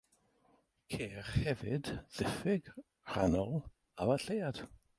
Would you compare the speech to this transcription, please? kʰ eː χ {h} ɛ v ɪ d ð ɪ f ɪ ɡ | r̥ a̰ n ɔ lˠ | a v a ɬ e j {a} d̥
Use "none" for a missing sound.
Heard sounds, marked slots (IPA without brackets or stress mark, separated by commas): h, a